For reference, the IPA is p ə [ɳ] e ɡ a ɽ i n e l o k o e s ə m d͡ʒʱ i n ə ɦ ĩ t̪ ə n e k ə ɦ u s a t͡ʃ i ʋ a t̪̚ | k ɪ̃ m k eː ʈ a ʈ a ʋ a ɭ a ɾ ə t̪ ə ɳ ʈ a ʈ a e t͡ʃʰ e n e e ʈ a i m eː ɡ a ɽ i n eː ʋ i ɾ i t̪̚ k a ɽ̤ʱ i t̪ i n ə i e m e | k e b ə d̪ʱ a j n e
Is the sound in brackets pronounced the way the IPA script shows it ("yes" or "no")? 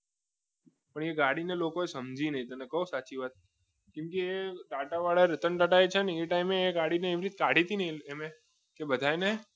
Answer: yes